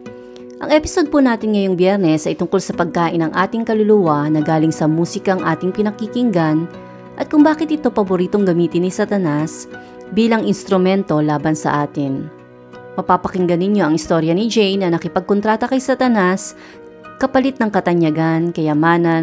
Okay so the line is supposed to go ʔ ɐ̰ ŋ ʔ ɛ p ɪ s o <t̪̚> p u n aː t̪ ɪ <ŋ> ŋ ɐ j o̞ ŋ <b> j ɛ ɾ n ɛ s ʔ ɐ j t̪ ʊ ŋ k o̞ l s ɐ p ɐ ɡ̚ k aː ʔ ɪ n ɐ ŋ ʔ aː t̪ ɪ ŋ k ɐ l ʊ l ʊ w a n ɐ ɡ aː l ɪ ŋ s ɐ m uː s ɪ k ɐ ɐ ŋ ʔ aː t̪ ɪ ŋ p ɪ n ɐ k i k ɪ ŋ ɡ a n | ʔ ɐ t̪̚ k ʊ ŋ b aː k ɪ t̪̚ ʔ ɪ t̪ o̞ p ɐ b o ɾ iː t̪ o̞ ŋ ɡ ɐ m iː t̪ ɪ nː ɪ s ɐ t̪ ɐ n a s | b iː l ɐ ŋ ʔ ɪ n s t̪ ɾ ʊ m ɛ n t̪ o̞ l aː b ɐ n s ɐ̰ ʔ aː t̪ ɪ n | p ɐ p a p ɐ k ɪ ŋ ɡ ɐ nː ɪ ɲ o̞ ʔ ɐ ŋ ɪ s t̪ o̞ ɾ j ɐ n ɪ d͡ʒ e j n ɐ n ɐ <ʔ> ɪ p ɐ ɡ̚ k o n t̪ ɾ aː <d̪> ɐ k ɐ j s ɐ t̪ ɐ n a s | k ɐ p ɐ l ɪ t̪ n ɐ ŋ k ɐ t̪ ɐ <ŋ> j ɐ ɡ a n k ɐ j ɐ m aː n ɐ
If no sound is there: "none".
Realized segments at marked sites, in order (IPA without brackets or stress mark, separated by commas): d̪̚, n, b, k, t̪, ɲ